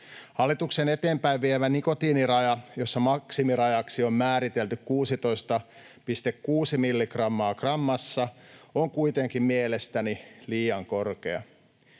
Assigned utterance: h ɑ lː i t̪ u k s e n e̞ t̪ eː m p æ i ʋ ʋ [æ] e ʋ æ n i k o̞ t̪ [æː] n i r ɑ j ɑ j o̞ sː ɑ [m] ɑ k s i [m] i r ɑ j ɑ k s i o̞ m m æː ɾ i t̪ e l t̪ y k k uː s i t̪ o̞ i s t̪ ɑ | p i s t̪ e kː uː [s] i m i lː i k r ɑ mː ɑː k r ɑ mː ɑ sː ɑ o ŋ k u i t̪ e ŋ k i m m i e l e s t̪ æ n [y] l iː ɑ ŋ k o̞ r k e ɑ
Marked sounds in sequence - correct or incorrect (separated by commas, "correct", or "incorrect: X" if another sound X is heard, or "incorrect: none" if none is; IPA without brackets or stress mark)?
incorrect: i, incorrect: iː, correct, correct, correct, incorrect: i